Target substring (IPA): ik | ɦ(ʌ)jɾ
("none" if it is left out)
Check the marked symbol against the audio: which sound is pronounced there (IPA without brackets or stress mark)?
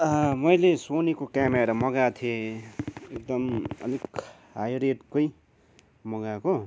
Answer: a